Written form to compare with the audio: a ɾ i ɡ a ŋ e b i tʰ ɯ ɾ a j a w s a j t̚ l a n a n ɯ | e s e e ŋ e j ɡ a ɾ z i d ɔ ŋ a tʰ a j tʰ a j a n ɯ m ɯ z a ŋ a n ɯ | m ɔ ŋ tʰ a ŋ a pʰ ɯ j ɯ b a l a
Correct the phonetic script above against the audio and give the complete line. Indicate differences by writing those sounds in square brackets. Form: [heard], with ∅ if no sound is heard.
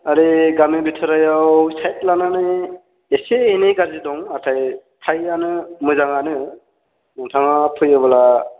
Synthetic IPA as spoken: a ɾ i ɡ a [m] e b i tʰ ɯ ɾ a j a w s a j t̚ l a n a n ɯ | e s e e [n] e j ɡ a ɾ z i d ɔ ŋ a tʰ a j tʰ a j a n ɯ m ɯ z a ŋ a n ɯ | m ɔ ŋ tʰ a ŋ a pʰ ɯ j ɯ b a l a